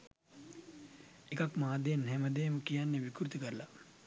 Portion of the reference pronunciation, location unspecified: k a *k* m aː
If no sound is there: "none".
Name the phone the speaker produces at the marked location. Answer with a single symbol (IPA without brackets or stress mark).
k